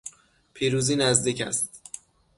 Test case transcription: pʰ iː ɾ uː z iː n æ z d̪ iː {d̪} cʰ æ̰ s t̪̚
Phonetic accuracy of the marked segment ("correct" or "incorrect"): incorrect